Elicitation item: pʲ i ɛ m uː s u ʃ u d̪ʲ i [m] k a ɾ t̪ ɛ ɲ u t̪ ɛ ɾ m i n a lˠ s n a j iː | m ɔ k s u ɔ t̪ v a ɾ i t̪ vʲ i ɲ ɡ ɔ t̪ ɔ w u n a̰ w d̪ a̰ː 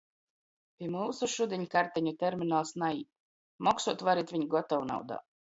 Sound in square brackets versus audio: incorrect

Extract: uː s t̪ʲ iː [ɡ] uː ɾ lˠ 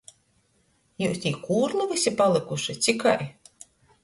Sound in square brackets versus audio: incorrect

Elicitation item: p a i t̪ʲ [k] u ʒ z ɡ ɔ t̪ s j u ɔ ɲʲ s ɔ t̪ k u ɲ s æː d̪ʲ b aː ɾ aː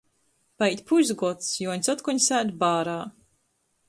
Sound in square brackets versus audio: incorrect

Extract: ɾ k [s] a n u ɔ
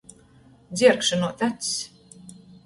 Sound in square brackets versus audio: incorrect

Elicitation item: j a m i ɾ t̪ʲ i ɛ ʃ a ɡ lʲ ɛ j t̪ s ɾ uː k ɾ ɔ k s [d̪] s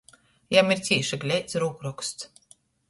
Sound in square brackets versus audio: incorrect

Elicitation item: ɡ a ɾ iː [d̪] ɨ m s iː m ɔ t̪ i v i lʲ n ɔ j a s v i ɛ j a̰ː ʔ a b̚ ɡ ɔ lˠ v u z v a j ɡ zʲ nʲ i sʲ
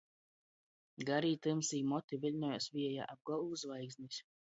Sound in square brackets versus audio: incorrect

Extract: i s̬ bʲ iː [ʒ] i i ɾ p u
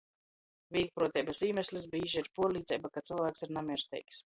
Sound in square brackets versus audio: correct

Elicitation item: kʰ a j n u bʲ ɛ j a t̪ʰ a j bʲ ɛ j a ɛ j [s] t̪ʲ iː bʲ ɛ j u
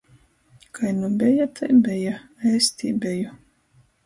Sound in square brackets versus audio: correct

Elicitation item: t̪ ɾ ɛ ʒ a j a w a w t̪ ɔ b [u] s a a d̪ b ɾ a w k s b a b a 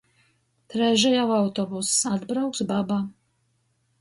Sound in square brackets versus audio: correct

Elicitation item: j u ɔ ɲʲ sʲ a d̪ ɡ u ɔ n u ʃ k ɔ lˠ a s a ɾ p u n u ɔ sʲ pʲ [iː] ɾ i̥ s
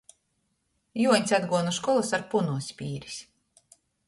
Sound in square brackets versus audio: correct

